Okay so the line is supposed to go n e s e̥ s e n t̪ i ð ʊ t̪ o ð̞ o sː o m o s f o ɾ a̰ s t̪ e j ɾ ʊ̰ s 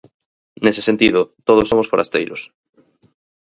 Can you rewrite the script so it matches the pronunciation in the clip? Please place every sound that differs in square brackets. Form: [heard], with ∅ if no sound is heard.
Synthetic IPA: n e s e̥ s e n t̪ i ð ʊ t̪ o ð̞ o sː o m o s f o ɾ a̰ s t̪ e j ɾ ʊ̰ s